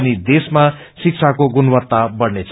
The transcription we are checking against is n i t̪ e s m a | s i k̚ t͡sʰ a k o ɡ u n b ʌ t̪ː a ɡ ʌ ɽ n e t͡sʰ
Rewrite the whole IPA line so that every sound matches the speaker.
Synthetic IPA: n i d̪ e s m a | s i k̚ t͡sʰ a k o ɡ u n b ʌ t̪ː a b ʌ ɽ n e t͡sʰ